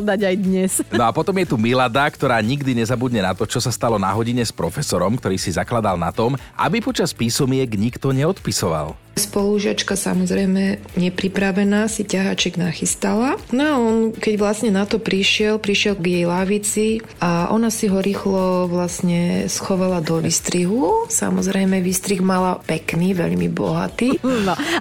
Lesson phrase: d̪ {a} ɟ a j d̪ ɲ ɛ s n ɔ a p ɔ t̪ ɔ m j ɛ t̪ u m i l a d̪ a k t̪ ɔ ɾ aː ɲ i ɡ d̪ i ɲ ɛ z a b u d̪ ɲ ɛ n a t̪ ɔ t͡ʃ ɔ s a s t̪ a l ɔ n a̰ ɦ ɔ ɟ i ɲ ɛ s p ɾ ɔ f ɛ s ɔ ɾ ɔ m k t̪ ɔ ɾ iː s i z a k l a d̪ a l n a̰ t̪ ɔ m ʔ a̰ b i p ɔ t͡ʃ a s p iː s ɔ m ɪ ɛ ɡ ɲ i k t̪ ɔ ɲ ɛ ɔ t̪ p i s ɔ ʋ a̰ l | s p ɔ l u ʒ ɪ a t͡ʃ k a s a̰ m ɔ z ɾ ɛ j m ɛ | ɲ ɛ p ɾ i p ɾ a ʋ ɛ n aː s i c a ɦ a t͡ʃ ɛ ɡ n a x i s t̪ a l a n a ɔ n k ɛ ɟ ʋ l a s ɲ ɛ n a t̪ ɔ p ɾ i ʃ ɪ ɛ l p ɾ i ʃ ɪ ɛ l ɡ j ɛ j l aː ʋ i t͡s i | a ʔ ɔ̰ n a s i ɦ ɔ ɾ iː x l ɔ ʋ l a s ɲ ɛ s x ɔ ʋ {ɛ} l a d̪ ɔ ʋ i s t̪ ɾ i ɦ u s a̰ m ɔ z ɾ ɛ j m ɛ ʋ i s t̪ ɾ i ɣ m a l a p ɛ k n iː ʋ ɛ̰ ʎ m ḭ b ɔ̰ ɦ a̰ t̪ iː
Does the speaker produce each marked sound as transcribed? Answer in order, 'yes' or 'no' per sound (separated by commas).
yes, no